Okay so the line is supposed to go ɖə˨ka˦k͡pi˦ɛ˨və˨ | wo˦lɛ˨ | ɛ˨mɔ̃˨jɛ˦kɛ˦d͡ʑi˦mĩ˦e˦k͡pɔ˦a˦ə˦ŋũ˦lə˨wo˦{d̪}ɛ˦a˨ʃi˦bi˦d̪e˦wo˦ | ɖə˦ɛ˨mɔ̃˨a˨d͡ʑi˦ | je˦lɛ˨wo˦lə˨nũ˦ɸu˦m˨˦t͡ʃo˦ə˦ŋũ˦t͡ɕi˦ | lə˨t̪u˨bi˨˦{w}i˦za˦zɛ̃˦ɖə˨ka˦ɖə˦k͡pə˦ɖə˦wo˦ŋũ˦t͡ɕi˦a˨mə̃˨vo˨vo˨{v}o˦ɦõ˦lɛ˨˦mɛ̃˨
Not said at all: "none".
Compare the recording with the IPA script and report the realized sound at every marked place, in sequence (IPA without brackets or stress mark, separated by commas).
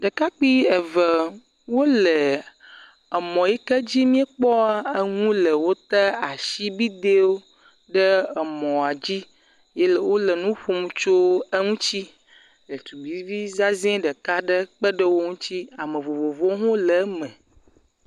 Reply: t̪, v, v